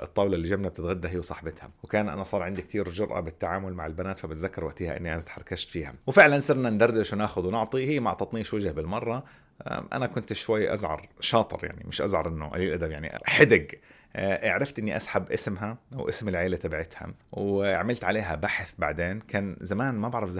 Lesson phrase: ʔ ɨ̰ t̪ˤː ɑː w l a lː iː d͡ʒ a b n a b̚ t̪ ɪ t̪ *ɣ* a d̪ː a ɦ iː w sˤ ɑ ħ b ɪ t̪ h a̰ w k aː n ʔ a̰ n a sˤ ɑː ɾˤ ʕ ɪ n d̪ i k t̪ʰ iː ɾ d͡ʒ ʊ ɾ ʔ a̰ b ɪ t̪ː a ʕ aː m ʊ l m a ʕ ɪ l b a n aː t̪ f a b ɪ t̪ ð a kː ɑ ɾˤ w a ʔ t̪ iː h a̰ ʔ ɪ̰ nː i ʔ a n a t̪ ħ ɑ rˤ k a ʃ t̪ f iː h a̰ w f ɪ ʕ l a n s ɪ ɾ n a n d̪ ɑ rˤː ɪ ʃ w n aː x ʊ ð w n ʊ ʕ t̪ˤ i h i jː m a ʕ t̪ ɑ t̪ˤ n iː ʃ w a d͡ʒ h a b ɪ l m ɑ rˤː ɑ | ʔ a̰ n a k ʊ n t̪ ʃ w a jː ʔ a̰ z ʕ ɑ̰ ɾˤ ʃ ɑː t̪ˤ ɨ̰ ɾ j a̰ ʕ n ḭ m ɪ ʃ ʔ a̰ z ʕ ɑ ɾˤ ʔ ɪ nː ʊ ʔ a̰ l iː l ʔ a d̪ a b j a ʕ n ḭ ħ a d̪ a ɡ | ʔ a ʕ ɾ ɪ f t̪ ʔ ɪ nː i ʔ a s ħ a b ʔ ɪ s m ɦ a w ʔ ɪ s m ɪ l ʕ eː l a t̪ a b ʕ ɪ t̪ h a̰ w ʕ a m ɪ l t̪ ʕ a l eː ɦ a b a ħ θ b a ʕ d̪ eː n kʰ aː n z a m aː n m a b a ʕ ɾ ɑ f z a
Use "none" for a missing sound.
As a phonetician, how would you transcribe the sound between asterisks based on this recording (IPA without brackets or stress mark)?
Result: ɣ